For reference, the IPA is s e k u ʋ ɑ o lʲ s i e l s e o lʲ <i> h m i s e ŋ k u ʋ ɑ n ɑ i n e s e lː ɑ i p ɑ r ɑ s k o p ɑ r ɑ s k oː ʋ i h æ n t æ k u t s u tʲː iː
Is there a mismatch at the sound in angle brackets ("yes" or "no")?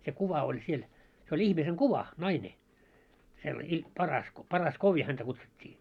no